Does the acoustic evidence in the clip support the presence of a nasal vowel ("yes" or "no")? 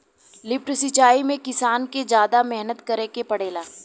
yes